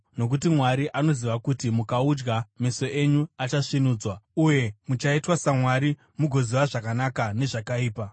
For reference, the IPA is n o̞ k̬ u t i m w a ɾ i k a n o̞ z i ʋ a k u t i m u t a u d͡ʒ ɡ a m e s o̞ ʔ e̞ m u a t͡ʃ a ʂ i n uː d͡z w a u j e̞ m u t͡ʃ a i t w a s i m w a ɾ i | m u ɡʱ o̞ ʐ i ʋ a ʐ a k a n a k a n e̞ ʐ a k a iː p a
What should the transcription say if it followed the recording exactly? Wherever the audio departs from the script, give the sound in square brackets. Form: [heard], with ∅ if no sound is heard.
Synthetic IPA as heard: n o̞ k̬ u t i m w a ɾ i [ʔ] a n o̞ z i ʋ a k u t i m u [k] a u d͡ʒ ɡ a m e s o̞ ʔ e̞ [ɲ] u a t͡ʃ a ʂ i n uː d͡z w a u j e̞ m u t͡ʃ a i t w a s [a] m w a ɾ i | m u ɡʱ o̞ [z] i ʋ a ʐ a k a n a k a n e̞ ʐ a k a iː p a